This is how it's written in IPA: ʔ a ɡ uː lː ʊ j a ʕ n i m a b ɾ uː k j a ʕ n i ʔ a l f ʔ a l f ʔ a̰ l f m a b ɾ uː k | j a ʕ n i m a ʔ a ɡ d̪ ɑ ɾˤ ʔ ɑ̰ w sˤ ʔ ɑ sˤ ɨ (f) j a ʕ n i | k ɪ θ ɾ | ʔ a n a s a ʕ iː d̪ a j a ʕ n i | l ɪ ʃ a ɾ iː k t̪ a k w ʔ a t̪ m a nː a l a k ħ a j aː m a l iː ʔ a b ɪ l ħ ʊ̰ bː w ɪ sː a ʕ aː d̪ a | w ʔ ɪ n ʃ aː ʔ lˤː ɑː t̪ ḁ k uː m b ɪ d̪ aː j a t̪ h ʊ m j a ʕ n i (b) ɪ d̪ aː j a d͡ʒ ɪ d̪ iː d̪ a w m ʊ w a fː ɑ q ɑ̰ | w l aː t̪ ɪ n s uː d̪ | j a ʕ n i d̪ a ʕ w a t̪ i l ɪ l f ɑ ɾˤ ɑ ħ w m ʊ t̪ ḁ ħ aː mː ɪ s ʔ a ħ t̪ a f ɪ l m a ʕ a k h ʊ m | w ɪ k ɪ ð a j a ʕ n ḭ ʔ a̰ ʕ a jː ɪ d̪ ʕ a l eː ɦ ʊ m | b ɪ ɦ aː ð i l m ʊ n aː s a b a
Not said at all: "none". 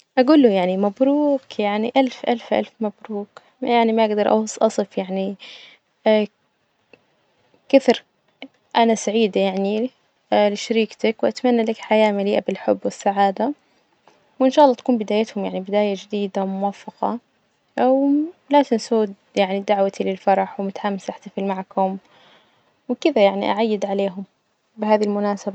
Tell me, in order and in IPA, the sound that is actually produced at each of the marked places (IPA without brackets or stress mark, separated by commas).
f, b